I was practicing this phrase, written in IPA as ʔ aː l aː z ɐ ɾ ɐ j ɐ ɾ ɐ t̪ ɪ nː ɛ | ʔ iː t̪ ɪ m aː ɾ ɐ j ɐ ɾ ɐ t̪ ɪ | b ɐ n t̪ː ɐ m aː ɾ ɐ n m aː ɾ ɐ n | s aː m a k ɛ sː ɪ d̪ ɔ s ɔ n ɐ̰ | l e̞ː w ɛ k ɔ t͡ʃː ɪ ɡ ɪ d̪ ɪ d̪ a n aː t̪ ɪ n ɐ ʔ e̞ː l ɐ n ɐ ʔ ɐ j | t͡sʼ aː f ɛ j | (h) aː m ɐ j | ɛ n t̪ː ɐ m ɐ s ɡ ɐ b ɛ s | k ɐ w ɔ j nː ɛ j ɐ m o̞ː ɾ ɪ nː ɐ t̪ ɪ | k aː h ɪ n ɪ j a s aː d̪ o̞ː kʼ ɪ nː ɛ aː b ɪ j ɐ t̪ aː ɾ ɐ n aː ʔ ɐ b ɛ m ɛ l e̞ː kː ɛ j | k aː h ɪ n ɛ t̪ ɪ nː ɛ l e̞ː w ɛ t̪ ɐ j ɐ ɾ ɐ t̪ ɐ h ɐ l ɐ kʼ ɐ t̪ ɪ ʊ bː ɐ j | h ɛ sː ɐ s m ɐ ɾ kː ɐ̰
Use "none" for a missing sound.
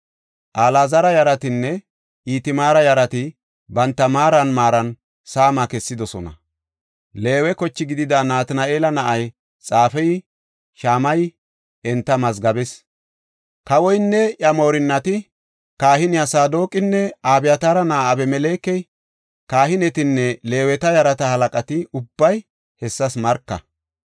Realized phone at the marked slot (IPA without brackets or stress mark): ʃ